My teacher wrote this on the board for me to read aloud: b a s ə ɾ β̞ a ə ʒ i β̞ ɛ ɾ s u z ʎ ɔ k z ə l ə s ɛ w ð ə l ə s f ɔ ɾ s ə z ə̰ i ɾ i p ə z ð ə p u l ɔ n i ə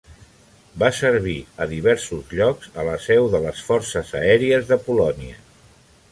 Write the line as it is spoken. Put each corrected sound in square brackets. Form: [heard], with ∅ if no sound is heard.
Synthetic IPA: b a s ə ɾ β̞ [i] ə [ð] i β̞ ɛ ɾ s u z ʎ ɔ k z ə l ə s ɛ w ð ə l ə s f ɔ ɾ s ə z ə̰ [ɛ] ɾ i [∅] ə z ð ə p u l ɔ n i ə